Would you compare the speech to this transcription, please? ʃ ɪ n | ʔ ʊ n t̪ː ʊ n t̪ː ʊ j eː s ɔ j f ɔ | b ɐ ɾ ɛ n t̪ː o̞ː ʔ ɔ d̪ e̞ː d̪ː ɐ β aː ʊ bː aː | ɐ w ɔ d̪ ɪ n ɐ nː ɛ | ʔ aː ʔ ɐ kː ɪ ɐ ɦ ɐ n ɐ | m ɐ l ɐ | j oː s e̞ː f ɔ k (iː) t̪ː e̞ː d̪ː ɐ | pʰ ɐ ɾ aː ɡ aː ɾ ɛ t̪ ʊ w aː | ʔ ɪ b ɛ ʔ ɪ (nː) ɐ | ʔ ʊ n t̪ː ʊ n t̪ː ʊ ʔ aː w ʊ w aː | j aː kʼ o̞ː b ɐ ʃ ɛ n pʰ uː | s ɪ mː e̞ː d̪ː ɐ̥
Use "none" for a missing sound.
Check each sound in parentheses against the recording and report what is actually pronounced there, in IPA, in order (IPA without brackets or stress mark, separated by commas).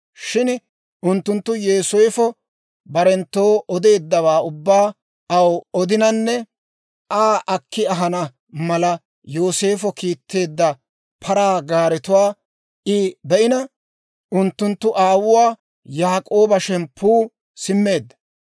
iː, n